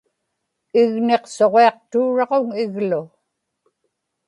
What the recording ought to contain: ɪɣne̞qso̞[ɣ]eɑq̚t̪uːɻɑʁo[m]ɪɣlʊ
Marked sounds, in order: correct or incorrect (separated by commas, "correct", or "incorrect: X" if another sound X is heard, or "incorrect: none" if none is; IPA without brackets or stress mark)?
incorrect: ʁ, incorrect: ŋ